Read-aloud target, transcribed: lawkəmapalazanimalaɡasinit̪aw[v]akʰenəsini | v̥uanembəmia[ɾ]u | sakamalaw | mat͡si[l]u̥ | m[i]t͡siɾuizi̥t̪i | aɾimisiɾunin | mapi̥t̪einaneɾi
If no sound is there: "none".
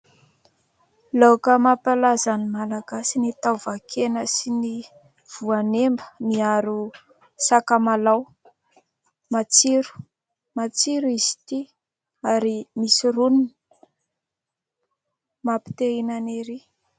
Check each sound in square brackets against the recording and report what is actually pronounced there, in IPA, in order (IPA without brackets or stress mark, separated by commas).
v, ɾ, ɾ, a